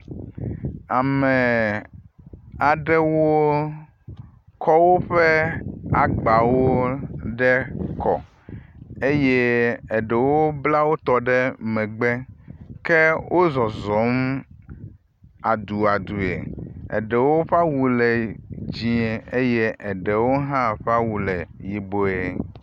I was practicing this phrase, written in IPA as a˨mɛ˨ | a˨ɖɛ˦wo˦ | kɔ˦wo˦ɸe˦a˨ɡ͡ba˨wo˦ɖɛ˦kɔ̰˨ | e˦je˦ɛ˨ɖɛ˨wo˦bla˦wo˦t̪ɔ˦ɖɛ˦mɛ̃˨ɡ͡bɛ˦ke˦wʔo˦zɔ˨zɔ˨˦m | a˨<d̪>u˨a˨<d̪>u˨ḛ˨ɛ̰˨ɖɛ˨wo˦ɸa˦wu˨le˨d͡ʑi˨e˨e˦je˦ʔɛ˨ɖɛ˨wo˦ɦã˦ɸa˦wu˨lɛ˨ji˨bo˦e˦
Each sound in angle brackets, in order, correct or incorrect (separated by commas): correct, correct